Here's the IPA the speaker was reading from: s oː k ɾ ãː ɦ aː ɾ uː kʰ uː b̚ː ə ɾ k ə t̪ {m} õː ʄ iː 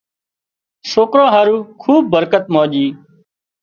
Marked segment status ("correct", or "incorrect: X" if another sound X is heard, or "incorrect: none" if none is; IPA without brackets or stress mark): correct